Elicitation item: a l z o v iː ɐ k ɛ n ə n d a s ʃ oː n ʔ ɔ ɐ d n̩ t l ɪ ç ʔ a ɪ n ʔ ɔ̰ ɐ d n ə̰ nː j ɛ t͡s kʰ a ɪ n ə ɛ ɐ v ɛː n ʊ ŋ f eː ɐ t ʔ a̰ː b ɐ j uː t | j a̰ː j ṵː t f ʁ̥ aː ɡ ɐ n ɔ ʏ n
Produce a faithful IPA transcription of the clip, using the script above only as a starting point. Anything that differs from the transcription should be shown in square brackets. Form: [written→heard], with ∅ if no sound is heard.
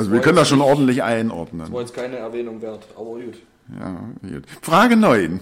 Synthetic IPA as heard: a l z o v iː ɐ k [ɛ→œ] n ə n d a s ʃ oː n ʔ ɔ ɐ d n̩ t l ɪ ç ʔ a ɪ n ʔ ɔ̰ ɐ d n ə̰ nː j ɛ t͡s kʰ a ɪ n ə ɛ ɐ v ɛː n ʊ ŋ [f→v] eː ɐ t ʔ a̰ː b ɐ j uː t | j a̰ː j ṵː t f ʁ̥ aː ɡ [ɐ→ə] n ɔ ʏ n